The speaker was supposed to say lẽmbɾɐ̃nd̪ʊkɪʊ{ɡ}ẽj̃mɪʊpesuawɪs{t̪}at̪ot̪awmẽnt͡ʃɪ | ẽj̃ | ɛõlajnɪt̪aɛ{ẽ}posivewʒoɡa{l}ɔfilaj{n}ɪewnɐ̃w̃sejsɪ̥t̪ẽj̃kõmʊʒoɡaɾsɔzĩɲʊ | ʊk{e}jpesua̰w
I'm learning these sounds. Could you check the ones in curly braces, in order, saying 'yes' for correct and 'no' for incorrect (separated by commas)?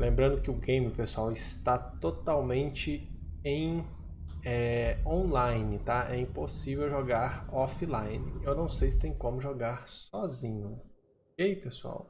yes, yes, no, no, yes, yes